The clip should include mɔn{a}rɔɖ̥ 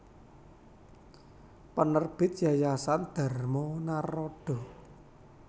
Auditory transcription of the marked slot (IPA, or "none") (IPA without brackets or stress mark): a